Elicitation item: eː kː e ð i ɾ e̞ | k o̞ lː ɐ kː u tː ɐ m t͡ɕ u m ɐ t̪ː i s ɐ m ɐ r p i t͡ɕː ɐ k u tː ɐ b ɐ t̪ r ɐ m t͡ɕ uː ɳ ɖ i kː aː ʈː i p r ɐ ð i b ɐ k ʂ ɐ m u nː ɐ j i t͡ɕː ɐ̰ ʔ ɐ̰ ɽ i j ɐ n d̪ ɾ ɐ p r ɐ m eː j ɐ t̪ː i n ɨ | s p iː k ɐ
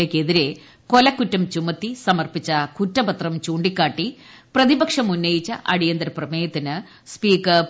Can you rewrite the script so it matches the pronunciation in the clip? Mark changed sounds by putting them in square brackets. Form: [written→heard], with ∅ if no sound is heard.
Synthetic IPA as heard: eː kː e ð i ɾ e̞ | k o̞ [lː→l] ɐ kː u tː ɐ m t͡ɕ u m ɐ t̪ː i s ɐ m ɐ r p i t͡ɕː ɐ k u tː ɐ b ɐ t̪ r ɐ m t͡ɕ uː ɳ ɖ i kː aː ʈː i p r ɐ ð i b ɐ k ʂ ɐ m u nː ɐ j i t͡ɕː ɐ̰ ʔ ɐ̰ ɽ i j ɐ n d̪ ɾ ɐ p r ɐ m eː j ɐ t̪ː i n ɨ | s p iː k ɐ